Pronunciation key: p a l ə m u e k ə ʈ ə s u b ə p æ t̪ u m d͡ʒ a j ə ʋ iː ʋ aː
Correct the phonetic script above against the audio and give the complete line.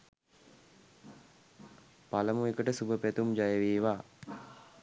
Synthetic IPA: p a l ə m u e k ə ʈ ə s u b ə p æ t̪ u m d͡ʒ a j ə ʋ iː ʋ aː